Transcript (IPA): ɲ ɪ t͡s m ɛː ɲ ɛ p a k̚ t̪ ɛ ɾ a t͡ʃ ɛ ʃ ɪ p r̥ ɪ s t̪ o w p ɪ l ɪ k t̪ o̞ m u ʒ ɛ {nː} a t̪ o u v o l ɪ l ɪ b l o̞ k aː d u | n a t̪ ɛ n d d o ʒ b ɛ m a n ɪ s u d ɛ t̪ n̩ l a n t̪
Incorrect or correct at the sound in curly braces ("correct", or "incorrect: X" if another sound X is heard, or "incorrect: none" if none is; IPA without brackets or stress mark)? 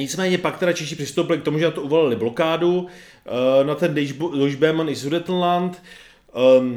incorrect: n